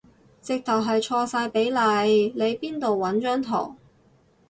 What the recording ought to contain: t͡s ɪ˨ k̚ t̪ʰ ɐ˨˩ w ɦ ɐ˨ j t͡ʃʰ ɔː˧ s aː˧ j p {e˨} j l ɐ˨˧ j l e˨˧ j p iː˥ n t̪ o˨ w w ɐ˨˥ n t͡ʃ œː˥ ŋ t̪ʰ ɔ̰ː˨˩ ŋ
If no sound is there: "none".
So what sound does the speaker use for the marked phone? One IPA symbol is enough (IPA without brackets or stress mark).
e˨˥